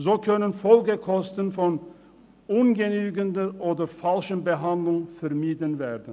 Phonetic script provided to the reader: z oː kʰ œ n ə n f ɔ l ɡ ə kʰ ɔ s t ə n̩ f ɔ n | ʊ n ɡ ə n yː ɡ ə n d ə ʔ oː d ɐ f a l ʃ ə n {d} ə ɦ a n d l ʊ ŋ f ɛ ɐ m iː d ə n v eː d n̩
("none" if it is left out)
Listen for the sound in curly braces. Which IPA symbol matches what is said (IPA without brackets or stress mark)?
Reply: b